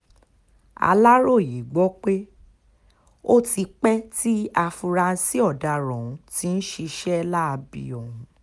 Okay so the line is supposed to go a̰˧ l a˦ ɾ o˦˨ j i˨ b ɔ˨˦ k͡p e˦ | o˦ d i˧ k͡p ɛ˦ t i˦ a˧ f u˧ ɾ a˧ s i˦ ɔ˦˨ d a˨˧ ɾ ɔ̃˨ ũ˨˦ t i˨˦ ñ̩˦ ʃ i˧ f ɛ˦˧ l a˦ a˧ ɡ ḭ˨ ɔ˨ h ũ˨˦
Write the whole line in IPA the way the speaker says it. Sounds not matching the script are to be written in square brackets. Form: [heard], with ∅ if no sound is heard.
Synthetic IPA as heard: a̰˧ l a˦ ɾ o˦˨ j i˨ [ɡ͡b] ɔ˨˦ k͡p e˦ | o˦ [t] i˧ k͡p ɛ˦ t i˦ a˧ f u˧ ɾ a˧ s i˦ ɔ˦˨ d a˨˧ ɾ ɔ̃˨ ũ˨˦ t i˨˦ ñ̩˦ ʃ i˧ [ʃ] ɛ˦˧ l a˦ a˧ [b] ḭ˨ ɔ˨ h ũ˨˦